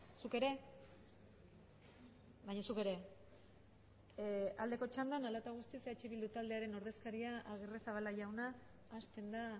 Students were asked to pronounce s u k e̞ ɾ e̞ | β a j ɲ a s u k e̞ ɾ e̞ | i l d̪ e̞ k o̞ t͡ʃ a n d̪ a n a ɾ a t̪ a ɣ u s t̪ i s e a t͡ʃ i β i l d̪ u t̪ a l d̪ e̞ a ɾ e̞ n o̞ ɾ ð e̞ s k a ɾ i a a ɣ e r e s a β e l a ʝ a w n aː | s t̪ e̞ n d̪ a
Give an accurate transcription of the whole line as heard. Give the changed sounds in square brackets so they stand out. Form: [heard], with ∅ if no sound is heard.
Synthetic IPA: s u k e̞ ɾ e̞ | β a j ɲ a s u k e̞ ɾ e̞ | [a] l d̪ e̞ k o̞ t͡ʃ a n d̪ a n a [l] a t̪ a ɣ u s t̪ i s e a t͡ʃ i β i l d̪ u t̪ a l d̪ e̞ a ɾ e̞ n o̞ ɾ ð e̞ s k a ɾ i a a ɣ e r e s a β [a] l a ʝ a w n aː | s t̪ e̞ n d̪ a